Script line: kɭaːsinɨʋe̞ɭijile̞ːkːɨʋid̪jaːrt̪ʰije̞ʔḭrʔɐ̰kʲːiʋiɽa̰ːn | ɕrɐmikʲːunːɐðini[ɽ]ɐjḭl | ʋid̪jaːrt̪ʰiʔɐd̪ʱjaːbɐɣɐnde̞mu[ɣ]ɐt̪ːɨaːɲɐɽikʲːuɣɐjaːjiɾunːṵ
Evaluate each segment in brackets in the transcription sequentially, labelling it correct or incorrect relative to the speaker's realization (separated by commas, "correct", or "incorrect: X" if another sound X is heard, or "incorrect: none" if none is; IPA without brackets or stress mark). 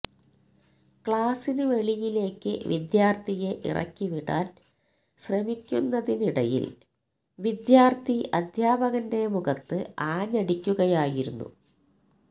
correct, correct